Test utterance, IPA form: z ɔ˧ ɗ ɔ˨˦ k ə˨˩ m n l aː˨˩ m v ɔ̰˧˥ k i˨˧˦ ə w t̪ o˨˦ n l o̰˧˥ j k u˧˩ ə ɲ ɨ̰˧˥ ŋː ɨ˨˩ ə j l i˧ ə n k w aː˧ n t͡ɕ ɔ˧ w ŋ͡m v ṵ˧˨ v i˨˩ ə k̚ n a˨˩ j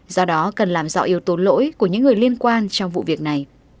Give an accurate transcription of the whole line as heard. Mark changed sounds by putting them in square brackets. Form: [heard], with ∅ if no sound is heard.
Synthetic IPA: z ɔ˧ ɗ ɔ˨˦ k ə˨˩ [∅] n l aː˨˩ m [z] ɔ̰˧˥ [ʔ] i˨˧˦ ə w t̪ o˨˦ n l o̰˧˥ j k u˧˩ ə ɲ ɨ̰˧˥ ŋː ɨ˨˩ ə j l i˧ ə n k w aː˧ n t͡ɕ ɔ˧ w ŋ͡m v ṵ˧˨ v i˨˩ ə k̚ n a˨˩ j